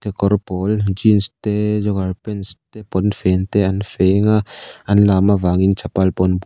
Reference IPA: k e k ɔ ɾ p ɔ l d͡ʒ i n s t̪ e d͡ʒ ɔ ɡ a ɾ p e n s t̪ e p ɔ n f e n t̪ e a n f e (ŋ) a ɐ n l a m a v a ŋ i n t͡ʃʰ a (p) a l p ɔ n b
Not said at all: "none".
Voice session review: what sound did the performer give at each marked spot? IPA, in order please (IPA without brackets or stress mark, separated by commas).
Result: ŋ, p